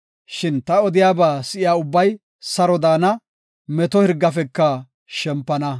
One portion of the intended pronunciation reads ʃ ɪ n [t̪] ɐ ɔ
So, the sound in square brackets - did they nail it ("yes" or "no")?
yes